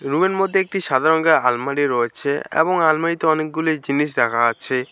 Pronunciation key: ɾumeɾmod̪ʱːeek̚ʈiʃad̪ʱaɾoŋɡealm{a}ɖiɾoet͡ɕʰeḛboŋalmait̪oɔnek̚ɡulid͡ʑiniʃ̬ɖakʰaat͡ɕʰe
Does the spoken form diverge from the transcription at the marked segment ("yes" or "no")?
no